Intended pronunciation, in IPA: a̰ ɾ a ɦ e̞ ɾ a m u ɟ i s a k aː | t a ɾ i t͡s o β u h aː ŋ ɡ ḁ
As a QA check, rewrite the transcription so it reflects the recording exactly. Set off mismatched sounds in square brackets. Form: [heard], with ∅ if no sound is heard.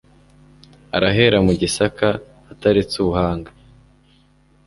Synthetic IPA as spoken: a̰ ɾ a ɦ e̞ ɾ a m u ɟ i s a k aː | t a ɾ i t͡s [u] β u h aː ŋ ɡ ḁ

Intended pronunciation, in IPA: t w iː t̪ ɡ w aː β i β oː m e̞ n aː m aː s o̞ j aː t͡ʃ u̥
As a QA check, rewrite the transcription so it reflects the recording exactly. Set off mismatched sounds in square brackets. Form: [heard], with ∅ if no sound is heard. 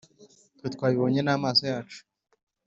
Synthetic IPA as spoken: t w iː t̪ [k] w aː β i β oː [ɲ] e̞ n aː m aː s o̞ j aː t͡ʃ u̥

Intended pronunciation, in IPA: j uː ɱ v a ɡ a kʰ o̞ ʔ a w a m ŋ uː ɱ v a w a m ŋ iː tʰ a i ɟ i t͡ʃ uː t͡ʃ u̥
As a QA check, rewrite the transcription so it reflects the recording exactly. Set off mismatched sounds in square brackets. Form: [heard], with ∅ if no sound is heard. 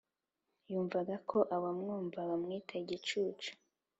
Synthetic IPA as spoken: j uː ɱ v a ɡ a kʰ o̞ ʔ a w a m ŋ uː ɱ v a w a m ŋ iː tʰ a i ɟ i t͡ʃ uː t͡ʃ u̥

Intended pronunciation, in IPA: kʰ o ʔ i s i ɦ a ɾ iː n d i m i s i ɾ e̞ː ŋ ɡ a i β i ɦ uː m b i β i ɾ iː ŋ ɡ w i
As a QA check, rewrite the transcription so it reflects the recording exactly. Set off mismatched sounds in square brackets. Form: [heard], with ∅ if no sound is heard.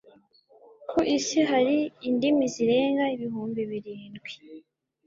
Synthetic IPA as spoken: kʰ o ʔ i s i ɦ a ɾ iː n d i m i [z] i ɾ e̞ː ŋ ɡ a i β i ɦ uː m b i β i ɾ iː [n] ɡ w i

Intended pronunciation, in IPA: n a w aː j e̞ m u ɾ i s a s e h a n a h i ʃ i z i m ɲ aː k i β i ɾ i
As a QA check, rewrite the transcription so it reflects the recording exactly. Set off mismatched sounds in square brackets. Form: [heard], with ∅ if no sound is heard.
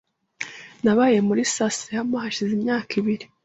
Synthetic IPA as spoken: n a [β] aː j e̞ m u ɾ i s a s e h a [m] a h [a] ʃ i z i m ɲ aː k i β i ɾ i

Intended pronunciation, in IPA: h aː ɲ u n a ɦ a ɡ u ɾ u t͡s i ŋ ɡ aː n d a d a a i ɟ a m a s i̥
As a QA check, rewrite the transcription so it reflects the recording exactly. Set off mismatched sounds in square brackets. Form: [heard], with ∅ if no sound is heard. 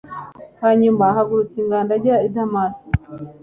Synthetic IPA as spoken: h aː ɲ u [m] a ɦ a ɡ u ɾ u t͡s i ŋ ɡ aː n d a [ɟ] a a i [d] a m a s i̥

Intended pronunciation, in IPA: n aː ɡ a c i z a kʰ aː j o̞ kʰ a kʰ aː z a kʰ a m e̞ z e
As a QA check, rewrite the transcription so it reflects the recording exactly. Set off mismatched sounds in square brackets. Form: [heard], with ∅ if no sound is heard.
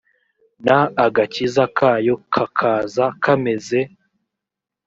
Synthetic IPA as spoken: n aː ɡ a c i z a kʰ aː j o̞ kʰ a kʰ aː z a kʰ a m e̞ z e

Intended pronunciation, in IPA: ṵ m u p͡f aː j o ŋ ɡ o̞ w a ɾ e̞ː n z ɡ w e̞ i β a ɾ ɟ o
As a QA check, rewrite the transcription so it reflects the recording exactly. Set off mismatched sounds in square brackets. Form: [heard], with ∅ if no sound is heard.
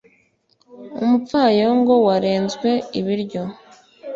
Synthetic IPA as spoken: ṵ m u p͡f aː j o ŋ ɡ o̞ w a ɾ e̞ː n z ɡ w e̞ i β [i] ɾ ɟ o

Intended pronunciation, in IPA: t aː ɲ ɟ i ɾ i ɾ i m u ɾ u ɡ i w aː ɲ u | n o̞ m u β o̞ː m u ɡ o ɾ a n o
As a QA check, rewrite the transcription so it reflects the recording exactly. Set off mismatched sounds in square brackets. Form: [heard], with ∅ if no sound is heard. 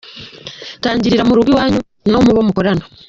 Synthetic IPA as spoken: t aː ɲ ɟ i ɾ i ɾ [a] m u ɾ u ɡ i w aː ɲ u | n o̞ m u β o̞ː m u [k] o ɾ a n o

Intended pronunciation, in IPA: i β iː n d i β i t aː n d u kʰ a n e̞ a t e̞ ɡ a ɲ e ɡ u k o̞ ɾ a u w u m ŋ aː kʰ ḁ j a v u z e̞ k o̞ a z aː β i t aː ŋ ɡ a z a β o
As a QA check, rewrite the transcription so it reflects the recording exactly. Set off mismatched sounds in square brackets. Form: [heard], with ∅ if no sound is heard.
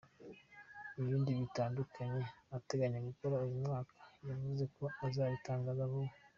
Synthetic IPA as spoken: i β iː n d i β i t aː n d u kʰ a [ɲ] e̞ a t e̞ ɡ a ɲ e ɡ u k o̞ ɾ a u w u m ŋ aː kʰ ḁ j a v u z e̞ k o̞ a z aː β i t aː ŋ ɡ a z a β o

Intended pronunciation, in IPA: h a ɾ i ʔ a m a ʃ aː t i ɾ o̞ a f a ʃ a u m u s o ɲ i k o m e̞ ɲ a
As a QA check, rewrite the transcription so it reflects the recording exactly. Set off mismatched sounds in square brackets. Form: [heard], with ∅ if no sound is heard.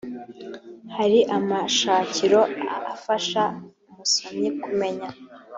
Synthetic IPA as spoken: h a ɾ i ʔ a m a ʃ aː [c] i ɾ o̞ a f a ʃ a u m u s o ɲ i k [u] m e̞ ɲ a

